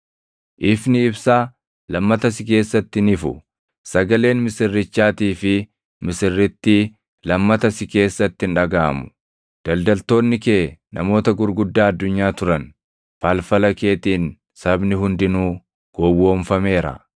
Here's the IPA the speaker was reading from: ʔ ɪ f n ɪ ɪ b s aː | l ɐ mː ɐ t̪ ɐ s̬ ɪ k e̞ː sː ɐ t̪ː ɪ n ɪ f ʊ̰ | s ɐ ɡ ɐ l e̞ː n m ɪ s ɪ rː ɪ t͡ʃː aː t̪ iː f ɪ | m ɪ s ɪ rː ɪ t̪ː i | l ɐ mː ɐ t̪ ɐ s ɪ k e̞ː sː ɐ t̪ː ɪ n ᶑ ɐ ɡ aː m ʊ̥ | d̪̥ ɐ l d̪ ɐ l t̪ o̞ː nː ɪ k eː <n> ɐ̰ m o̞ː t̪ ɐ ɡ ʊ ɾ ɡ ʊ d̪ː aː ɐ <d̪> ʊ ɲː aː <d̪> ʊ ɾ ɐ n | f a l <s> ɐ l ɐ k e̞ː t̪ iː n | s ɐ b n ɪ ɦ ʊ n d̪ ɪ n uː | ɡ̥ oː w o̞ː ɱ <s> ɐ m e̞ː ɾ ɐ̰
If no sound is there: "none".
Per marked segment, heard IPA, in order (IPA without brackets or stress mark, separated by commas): n, d̪ː, t̪, f, f